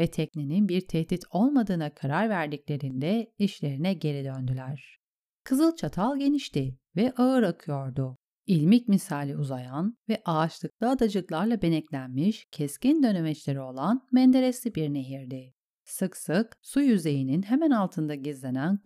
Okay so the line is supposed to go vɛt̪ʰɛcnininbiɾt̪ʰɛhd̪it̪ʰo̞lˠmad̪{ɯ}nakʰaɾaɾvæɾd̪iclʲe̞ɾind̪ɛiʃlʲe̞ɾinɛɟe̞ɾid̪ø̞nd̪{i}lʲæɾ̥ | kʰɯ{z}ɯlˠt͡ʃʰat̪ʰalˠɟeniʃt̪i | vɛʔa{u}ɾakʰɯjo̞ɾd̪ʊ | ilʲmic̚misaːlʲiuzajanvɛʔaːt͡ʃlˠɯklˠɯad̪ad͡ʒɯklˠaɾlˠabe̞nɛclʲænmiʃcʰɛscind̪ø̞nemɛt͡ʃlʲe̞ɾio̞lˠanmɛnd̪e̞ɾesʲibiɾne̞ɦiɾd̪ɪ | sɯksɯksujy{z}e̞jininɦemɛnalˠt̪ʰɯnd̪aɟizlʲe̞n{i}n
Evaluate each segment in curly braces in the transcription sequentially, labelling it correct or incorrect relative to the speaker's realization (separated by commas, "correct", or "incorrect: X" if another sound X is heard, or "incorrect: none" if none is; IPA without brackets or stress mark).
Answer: incorrect: ɯː, incorrect: y, correct, incorrect: ɯ, correct, incorrect: æ